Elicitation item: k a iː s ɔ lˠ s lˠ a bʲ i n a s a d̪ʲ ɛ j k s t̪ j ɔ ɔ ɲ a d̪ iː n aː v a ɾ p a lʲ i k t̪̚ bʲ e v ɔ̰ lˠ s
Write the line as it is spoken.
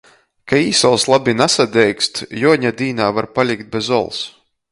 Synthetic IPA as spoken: k a iː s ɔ lˠ s lˠ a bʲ i n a s a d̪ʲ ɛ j k s t̪ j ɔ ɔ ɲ a d̪ iː n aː v a ɾ p a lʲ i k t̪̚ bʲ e z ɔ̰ lˠ s